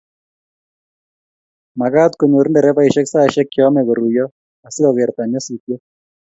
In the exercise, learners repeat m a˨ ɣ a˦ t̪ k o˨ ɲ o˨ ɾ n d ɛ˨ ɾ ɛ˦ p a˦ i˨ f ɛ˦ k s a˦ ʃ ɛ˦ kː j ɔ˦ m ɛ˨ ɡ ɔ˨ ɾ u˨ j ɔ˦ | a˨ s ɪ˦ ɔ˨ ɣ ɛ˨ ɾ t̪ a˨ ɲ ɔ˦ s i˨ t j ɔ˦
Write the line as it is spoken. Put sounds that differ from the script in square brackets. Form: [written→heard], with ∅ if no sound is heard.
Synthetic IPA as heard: m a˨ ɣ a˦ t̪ k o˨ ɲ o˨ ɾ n d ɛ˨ ɾ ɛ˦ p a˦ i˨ [f→ʃ] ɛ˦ k s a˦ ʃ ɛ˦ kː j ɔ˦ m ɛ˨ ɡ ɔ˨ ɾ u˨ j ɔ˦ | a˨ s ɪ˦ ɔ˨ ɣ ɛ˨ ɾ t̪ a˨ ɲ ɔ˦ s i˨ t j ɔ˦